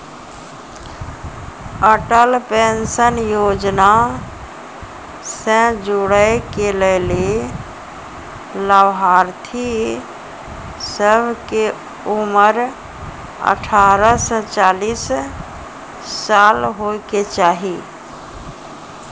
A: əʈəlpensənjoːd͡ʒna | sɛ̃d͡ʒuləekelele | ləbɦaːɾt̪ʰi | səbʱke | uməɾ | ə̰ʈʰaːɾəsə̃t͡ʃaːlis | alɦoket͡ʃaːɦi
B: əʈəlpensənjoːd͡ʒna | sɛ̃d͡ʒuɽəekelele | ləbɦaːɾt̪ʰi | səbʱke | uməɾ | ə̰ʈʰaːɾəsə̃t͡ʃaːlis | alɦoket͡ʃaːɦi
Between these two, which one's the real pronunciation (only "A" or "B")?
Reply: B